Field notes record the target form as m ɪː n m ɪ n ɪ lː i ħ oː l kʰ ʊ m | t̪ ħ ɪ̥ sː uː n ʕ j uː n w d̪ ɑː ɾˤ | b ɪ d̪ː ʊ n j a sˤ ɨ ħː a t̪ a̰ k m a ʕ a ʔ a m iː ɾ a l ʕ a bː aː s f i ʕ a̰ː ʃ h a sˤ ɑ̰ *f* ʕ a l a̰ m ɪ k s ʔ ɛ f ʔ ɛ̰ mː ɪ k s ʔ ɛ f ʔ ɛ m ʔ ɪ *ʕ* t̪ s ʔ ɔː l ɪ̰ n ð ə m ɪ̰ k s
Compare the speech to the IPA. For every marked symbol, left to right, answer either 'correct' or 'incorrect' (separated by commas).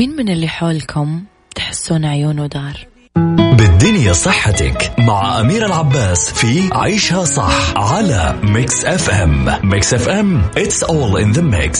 incorrect, incorrect